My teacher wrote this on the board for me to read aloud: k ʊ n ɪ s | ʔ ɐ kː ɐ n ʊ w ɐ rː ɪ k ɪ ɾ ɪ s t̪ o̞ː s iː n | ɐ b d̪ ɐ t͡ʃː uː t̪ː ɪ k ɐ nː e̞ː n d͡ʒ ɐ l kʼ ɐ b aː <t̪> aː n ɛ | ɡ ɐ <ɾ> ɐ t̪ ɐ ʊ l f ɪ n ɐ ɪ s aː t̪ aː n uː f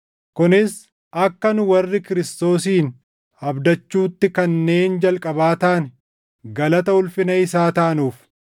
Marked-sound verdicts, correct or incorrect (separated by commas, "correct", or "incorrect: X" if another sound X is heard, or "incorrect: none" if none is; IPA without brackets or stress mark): correct, incorrect: l